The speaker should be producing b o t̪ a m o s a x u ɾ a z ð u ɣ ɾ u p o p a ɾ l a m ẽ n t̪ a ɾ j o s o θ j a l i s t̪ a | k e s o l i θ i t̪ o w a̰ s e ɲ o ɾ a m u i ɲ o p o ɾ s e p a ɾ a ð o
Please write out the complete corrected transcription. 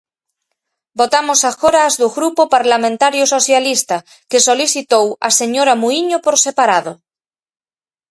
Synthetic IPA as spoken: b o t̪ a m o s a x o ɾ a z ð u ɣ ɾ u p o p a ɾ l a m ẽ n t̪ a ɾ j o s o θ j a l i s t̪ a | k e s o l i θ i t̪ o w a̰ s e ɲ o ɾ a m u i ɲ o p o ɾ s e p a ɾ a ð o